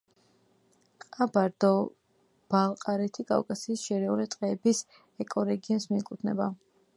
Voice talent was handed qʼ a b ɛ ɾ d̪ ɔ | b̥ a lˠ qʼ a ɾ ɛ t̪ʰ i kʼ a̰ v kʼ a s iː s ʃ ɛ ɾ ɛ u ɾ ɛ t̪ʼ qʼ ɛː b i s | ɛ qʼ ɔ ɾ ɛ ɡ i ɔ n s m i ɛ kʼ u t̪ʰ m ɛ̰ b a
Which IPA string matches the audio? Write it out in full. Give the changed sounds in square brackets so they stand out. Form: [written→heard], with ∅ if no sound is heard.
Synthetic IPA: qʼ a b [ɛ→a] ɾ d̪ ɔ | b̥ a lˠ qʼ a ɾ ɛ t̪ʰ i kʼ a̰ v kʼ a s iː s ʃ ɛ ɾ ɛ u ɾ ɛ t̪ʼ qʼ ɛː b i s | ɛ [qʼ→kʼ] ɔ ɾ ɛ ɡ i ɔ n s m i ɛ kʼ u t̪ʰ [m→n] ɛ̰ b a